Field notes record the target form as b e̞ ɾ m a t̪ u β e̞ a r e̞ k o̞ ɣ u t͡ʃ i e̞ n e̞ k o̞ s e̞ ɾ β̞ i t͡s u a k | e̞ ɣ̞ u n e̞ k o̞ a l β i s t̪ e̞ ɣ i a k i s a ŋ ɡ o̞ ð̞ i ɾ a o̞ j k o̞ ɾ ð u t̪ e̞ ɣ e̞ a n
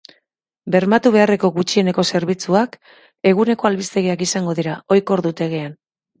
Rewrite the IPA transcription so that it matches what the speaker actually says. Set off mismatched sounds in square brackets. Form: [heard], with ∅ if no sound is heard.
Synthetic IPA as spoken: b e̞ ɾ m a t̪ u β e̞ a r e̞ k o̞ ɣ u t͡ʃ i e̞ n e̞ k o̞ s e̞ ɾ β̞ i t͡s u a k | e̞ ɣ̞ u n e̞ k o̞ a l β i s t̪ e̞ ɣ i a k i s a ŋ ɡ o̞ ð̞ i ɾ a o̞ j k o̞ ɾ ð u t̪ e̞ ɣ e̞ a n